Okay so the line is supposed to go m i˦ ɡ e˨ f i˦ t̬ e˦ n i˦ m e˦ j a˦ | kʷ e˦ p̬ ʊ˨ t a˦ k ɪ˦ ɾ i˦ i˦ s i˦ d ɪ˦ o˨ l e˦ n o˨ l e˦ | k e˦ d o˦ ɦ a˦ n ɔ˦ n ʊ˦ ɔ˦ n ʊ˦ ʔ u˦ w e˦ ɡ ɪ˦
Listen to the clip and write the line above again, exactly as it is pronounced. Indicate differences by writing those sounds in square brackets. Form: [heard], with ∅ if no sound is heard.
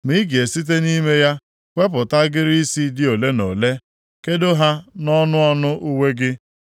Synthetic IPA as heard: m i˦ ɡ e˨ [s] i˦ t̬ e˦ n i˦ m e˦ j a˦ | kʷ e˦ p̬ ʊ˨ t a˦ [ɡ] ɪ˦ ɾ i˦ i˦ s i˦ d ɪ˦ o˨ l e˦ n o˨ l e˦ | k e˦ d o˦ ɦ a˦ n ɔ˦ n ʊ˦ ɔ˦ n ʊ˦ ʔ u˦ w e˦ ɡ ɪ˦